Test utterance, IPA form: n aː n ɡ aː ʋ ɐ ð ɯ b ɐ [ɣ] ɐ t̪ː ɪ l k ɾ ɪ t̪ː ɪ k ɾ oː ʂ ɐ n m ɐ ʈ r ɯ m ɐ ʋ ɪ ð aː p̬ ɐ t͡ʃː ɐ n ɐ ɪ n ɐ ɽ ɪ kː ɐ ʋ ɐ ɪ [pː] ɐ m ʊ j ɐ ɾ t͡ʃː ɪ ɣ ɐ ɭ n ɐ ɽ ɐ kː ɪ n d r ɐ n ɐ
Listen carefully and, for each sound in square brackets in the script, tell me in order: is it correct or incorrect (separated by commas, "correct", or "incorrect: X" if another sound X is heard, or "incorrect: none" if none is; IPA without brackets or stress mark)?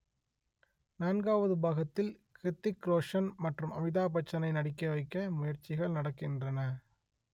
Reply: correct, incorrect: kː